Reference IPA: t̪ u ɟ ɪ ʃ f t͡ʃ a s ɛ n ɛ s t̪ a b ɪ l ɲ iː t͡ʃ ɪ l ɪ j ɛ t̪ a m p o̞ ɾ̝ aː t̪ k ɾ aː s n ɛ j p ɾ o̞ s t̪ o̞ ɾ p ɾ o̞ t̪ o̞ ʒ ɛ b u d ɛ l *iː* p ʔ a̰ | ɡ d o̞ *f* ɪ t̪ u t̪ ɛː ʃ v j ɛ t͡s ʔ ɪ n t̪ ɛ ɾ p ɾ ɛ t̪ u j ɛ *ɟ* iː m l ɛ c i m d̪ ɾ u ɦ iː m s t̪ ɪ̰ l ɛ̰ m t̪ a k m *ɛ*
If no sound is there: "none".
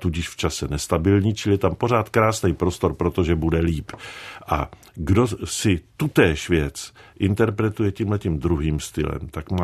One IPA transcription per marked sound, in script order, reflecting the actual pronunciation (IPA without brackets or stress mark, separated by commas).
iː, s, c, a